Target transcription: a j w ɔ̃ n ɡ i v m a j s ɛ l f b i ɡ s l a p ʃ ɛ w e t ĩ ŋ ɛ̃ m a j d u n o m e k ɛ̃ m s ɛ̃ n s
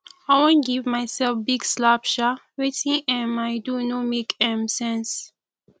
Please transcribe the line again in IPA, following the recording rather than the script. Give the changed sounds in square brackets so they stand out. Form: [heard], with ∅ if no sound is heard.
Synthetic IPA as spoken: a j w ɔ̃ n ɡ i v m a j s ɛ l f b i ɡ s l a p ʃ [a] w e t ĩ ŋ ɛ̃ m a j d u n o m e k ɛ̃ m s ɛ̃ n s